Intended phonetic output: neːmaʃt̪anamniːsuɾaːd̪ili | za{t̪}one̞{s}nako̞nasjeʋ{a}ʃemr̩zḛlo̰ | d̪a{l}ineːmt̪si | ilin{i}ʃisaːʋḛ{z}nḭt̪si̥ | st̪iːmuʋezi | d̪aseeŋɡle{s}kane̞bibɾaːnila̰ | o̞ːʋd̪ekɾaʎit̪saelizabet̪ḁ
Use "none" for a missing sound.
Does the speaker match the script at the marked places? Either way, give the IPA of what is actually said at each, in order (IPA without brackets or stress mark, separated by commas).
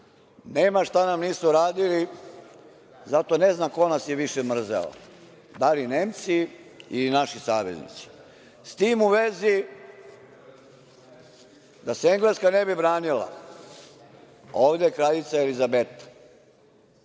t̪, z, i, l, a, z, s